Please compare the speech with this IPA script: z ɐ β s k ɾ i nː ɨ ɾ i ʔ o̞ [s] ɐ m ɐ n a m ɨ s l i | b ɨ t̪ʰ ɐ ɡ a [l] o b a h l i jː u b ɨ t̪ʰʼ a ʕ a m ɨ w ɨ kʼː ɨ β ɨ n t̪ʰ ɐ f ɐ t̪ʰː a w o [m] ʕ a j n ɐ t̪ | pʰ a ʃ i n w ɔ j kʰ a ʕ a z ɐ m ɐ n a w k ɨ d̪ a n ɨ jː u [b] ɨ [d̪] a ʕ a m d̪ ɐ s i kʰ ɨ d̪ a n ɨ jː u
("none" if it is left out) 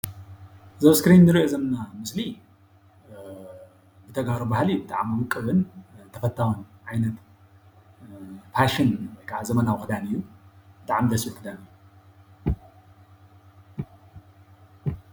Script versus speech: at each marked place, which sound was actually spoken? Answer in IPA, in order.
z, ɾ, n, b, t̪

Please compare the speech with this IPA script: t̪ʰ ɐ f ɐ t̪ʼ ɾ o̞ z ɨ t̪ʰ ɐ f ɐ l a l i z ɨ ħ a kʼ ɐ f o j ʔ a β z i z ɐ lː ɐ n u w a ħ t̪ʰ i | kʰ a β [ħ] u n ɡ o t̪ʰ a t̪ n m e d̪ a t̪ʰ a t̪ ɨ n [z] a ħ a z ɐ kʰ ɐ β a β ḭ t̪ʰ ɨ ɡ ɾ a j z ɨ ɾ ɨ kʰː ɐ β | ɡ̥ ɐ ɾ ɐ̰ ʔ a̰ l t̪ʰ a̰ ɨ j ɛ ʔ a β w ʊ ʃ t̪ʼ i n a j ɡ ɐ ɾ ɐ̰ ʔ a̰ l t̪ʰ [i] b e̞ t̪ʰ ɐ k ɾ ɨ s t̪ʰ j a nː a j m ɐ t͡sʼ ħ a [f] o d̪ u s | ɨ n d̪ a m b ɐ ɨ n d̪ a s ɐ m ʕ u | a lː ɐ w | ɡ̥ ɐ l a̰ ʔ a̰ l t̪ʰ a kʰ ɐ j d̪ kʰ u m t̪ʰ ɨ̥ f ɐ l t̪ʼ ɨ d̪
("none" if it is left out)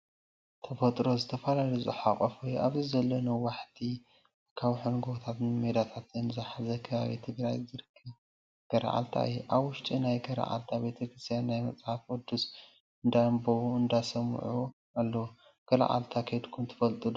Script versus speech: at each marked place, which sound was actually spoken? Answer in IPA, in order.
ħ, z, a, f

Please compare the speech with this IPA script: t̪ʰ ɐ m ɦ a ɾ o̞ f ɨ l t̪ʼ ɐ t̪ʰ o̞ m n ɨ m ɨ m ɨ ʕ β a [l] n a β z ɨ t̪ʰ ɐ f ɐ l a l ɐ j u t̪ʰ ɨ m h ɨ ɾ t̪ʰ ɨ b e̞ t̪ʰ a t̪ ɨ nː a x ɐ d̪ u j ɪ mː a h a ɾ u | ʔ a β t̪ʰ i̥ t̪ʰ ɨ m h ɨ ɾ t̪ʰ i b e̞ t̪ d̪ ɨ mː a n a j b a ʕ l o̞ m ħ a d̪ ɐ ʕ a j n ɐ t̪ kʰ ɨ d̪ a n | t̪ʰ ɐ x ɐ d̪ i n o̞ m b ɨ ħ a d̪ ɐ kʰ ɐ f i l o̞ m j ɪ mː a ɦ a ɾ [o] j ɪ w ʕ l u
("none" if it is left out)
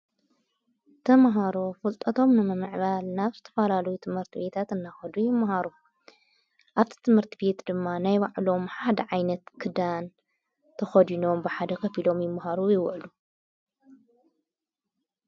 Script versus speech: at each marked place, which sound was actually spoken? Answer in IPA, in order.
l, u

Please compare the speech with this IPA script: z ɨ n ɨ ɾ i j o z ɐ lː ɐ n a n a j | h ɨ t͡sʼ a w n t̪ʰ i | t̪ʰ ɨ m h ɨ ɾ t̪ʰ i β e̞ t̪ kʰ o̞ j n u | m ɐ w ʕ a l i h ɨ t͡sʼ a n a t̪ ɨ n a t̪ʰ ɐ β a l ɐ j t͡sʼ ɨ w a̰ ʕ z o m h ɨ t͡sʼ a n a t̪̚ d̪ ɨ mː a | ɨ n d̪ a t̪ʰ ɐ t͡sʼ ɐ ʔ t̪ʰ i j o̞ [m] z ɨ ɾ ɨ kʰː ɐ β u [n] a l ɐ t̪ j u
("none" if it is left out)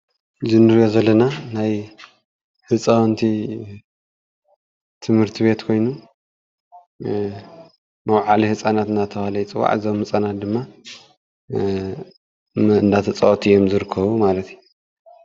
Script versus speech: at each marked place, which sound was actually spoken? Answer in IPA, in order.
m, m

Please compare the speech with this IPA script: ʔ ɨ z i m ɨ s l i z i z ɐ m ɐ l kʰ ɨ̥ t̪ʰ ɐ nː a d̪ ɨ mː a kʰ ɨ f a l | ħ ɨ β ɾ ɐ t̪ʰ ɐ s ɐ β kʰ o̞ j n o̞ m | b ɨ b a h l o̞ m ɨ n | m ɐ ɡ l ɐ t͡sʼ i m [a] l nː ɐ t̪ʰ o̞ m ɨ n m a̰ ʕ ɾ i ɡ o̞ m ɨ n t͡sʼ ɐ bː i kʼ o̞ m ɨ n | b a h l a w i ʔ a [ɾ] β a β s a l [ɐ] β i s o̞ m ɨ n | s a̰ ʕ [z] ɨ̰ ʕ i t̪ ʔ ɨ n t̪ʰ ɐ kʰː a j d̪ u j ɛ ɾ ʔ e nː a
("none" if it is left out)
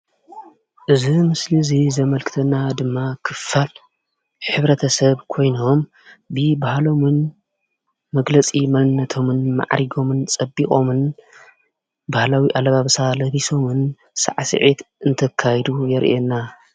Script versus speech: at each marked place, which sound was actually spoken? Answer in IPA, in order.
ɐ, l, ɐ, s

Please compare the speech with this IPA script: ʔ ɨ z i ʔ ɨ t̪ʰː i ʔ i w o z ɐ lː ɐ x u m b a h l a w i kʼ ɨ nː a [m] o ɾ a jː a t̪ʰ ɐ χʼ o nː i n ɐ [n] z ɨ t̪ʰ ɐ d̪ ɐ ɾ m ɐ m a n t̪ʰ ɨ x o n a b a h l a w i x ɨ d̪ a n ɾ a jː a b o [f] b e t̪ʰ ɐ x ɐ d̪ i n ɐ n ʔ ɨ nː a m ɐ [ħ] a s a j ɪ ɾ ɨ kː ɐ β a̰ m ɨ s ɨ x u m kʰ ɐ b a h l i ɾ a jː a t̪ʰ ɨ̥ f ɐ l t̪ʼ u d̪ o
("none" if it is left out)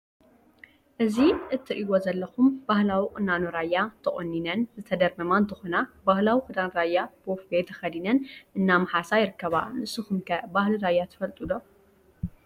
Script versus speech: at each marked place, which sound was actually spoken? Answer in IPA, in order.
n, n, f, ħ

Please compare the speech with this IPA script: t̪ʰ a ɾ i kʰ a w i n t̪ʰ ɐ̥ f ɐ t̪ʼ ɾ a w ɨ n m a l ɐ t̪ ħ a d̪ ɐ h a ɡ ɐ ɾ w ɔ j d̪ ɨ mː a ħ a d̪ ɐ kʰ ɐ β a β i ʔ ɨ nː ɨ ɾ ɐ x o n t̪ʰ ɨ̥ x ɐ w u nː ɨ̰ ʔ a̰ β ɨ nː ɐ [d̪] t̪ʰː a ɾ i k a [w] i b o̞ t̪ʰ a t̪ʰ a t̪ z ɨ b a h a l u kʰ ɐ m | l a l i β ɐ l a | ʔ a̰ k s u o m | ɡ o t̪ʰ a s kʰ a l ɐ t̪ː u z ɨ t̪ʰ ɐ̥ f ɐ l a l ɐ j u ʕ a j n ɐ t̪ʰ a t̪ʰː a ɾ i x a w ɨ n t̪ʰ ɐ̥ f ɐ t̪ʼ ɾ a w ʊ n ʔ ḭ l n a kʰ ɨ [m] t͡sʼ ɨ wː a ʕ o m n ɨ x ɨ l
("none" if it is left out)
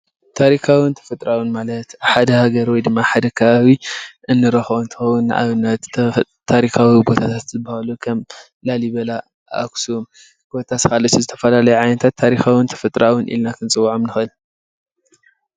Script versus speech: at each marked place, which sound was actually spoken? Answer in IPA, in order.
t̪, w, n

